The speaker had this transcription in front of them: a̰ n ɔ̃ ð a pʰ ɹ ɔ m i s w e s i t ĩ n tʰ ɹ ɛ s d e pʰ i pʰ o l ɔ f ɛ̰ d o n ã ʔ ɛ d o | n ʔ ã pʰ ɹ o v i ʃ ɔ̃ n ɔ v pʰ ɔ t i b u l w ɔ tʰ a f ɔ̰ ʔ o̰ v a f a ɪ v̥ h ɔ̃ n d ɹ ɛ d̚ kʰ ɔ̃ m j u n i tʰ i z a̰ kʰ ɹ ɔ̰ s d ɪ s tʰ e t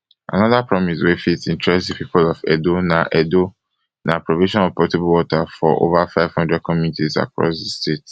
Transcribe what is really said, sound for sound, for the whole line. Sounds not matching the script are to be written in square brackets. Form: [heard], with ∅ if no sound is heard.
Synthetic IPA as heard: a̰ n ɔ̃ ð a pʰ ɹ ɔ m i s w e [f] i t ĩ n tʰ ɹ ɛ s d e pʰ i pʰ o l ɔ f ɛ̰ d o n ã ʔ ɛ d o | n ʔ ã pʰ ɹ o v i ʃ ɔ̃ n ɔ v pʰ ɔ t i b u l w ɔ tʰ a f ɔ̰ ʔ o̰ v a f a ɪ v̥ h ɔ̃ n d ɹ ɛ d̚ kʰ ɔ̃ m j u n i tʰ i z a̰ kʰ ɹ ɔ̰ s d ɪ s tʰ e t